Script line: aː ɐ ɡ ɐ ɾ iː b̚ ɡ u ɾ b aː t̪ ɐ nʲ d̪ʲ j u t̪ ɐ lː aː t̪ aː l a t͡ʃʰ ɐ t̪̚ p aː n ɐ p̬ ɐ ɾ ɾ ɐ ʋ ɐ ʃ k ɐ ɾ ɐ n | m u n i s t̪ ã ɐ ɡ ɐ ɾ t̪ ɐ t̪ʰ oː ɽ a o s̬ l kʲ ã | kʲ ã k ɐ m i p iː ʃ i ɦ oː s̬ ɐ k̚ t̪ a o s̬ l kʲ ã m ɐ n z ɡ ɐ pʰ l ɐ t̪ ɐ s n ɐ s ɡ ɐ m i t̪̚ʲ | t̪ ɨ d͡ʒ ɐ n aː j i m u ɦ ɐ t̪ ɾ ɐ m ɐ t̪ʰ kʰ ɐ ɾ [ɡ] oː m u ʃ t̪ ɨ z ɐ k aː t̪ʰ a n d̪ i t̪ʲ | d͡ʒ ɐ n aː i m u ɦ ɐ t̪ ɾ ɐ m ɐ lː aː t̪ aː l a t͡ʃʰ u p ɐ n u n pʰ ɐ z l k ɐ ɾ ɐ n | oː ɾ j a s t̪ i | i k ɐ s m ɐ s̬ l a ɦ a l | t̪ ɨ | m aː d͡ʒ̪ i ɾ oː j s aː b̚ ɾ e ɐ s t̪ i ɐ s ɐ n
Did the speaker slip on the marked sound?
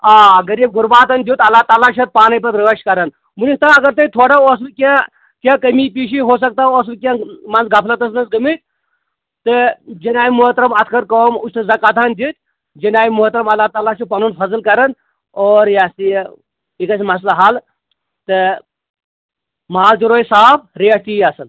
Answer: yes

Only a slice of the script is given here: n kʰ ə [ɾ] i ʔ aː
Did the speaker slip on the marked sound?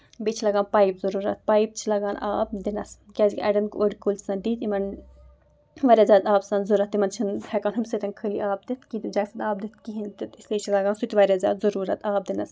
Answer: yes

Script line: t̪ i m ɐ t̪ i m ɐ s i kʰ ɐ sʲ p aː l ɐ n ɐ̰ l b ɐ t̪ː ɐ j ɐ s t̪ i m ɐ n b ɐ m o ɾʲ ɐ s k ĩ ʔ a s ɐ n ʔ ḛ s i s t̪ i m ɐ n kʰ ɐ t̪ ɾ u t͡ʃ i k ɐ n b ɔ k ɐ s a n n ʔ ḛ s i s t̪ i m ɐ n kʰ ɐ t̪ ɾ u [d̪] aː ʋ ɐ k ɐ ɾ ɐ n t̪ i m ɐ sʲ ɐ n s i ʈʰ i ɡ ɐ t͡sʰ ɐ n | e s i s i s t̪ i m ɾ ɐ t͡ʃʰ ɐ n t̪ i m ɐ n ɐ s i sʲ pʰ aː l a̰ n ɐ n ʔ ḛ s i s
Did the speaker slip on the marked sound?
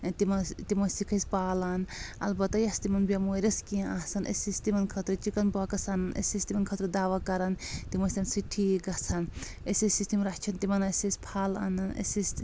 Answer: no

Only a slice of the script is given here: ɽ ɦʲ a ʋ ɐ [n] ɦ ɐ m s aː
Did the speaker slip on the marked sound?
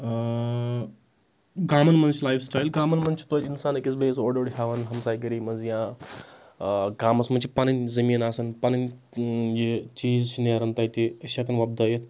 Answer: no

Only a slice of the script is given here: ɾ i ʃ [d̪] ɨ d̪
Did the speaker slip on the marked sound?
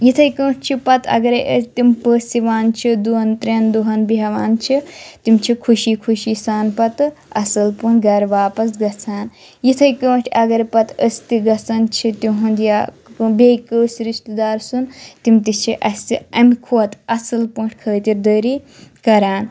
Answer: yes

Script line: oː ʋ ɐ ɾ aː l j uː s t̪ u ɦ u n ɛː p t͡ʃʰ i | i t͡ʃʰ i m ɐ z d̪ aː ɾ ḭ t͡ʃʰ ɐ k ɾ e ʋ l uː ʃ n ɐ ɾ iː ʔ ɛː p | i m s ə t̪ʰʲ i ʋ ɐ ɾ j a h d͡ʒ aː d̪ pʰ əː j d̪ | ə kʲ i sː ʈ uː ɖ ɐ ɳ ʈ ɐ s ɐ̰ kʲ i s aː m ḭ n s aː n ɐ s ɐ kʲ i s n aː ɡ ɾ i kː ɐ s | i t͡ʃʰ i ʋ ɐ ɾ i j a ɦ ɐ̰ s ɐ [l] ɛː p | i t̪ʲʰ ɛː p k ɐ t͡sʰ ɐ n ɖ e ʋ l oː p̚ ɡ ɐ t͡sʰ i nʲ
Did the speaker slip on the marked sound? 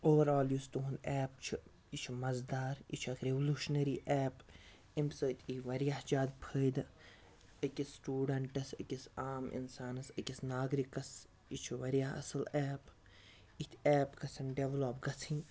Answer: no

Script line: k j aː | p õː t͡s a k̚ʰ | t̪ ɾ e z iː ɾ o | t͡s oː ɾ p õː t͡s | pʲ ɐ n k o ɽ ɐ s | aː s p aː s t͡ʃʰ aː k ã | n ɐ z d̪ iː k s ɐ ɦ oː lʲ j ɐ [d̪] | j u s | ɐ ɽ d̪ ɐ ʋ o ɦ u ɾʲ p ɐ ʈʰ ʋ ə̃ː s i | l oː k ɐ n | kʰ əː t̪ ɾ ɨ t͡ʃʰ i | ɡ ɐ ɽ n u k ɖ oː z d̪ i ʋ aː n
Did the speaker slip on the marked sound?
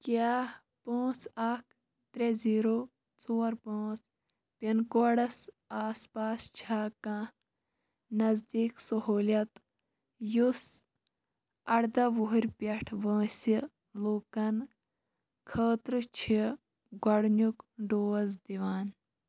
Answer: yes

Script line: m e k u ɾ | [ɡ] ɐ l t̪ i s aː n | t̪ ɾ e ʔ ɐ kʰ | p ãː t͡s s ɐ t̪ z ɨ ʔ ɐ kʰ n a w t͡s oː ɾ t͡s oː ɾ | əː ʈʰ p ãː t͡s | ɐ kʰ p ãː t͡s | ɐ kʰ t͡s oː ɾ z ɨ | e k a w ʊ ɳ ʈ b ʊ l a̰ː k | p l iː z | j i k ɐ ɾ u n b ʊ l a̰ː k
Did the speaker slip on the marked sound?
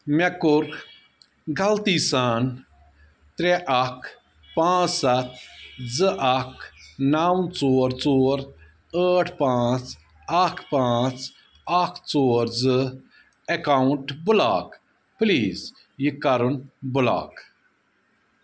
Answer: no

